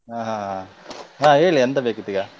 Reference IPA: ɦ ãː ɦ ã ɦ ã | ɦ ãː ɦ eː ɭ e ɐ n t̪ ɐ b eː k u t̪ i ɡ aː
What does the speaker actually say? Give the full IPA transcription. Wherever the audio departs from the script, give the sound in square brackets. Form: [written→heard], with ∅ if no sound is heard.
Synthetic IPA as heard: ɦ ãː ɦ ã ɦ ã | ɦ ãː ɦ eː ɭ [e→i] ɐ n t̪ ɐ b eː k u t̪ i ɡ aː